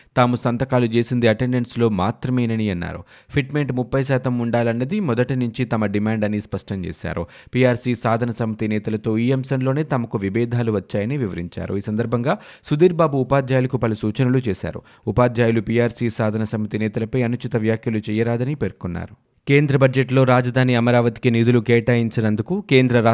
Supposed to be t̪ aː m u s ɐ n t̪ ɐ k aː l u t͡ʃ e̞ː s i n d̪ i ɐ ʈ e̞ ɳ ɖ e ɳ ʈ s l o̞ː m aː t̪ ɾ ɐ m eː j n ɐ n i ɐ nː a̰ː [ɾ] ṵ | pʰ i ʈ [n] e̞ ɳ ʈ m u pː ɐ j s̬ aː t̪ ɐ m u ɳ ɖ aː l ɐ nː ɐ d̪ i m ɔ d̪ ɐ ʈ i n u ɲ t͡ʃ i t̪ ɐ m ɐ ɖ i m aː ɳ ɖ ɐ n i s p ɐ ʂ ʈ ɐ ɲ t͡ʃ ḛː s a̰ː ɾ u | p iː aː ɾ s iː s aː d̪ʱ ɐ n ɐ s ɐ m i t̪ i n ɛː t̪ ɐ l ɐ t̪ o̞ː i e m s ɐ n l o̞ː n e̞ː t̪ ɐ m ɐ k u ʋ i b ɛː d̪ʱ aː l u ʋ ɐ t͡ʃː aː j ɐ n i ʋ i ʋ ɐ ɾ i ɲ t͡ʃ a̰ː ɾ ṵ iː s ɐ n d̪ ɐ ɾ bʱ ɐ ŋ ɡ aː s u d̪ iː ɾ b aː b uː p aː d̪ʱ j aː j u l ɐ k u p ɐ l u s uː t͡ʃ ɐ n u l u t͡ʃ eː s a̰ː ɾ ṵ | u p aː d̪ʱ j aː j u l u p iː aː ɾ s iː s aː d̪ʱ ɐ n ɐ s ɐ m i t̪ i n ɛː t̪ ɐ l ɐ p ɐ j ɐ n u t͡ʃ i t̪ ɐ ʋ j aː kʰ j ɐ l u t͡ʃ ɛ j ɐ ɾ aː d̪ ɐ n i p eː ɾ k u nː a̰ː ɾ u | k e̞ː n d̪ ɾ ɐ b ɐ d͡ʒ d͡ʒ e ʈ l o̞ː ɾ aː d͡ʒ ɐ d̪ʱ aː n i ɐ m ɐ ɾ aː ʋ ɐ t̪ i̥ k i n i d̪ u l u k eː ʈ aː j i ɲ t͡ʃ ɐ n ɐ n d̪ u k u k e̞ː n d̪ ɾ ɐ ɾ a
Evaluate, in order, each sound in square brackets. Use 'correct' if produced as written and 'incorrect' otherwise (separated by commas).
correct, incorrect